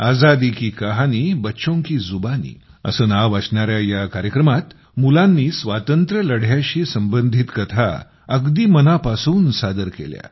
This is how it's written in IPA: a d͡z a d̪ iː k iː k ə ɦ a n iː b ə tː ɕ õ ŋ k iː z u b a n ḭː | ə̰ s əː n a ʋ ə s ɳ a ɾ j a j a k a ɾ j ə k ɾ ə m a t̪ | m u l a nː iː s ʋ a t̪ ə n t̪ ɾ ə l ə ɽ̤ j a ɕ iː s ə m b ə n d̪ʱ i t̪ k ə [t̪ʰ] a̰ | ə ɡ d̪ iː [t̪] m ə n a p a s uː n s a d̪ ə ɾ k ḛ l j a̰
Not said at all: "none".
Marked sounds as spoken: t̪ʰ, none

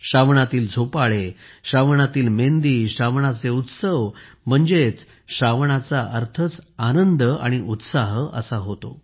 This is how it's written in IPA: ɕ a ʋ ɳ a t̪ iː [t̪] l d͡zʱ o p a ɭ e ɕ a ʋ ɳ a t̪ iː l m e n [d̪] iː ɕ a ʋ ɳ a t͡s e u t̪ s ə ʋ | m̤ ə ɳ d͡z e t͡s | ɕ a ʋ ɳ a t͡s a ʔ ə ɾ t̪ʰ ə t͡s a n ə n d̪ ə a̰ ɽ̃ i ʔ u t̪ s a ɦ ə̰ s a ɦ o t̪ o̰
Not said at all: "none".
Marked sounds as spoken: none, d̪

